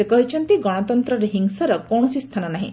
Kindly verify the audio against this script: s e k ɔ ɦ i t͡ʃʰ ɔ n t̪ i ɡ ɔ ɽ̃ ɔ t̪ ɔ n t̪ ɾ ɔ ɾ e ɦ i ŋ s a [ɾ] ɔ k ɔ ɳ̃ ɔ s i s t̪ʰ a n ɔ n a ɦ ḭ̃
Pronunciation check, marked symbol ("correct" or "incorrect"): correct